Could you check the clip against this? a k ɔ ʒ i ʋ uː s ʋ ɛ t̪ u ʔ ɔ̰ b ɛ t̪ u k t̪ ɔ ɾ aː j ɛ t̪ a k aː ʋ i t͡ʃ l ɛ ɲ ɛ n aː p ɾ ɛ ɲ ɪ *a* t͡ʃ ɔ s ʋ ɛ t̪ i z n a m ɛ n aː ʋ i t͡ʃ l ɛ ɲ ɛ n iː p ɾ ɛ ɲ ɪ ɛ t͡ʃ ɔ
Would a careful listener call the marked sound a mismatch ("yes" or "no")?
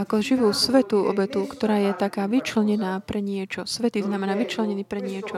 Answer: yes